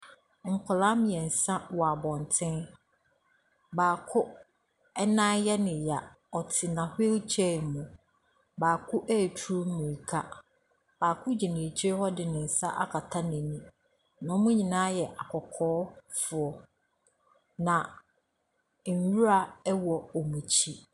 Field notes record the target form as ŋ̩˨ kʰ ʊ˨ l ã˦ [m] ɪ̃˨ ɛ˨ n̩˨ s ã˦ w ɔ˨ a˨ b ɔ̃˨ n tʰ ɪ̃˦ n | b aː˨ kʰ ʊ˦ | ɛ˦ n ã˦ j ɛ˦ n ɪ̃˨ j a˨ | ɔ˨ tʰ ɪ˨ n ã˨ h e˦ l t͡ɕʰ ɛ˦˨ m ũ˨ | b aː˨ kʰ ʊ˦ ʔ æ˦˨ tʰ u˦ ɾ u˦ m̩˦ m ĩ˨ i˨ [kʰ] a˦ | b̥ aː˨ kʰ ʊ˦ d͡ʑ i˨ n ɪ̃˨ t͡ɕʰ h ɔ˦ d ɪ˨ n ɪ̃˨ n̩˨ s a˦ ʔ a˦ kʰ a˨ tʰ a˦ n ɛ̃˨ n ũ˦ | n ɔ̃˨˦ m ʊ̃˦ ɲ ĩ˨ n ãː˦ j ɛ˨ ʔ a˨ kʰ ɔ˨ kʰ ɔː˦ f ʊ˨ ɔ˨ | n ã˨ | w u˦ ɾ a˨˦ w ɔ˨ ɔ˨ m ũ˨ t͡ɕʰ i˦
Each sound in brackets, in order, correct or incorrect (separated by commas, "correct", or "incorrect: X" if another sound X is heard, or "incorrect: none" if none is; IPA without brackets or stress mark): correct, correct